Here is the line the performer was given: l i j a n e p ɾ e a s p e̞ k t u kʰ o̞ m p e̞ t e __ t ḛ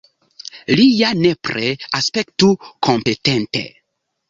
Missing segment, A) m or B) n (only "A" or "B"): B